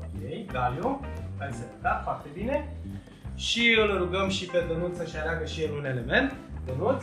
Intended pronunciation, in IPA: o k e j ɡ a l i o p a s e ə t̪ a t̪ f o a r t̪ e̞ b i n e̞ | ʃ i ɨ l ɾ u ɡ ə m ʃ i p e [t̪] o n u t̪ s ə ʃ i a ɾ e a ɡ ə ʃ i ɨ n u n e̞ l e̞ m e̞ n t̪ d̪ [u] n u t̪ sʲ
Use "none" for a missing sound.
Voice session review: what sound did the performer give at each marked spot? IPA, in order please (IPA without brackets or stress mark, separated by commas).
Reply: d̪, o